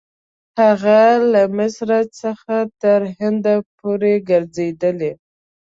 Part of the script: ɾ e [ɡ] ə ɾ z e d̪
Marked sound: correct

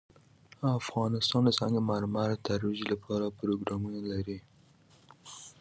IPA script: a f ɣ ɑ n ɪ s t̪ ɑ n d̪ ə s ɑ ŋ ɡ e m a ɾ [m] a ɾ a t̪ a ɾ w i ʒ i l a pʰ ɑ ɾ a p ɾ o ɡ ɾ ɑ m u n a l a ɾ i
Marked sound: correct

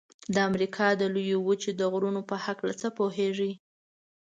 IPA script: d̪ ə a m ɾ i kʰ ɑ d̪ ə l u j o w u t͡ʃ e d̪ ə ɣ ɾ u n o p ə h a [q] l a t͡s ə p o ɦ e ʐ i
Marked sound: incorrect: k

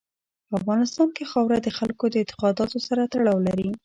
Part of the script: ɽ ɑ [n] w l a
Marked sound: incorrect: none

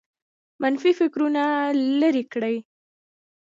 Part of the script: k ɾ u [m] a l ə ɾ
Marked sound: incorrect: n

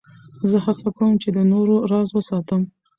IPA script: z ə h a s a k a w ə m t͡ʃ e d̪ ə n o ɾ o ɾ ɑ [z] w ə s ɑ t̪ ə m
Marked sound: correct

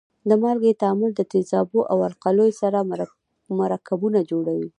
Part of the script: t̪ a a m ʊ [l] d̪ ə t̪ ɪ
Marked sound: correct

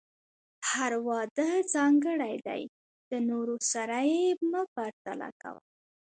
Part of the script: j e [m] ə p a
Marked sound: correct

